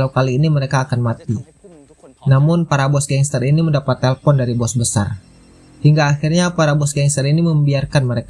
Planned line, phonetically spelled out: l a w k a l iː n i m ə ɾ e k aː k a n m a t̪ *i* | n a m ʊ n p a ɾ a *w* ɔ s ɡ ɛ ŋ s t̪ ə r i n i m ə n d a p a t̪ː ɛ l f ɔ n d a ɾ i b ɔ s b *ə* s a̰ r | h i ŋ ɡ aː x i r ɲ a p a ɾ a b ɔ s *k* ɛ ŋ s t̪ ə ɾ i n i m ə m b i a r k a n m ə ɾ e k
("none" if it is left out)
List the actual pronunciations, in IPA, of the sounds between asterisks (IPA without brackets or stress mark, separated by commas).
i, b, ə, ɡ